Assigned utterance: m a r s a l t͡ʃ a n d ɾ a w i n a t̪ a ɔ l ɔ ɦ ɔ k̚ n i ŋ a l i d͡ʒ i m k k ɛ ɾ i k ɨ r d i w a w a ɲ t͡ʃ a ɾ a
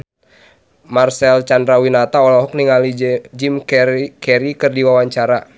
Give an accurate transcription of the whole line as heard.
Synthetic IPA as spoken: m a r s ɛ l t͡ʃ a n d ɾ a w i n a t̪ a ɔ l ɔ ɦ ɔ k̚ n i ŋ a l i d͡ʒ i m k k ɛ ɾ i k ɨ r d i w a w a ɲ t͡ʃ a ɾ a